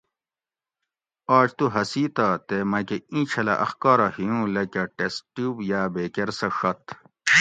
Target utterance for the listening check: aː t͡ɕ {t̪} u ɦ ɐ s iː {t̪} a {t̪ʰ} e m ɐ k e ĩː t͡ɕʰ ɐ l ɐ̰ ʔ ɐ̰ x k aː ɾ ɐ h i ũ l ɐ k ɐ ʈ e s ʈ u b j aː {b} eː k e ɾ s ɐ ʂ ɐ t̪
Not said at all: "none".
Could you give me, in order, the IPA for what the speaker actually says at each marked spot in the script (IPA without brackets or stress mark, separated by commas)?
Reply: t̪, t̪, t̪, b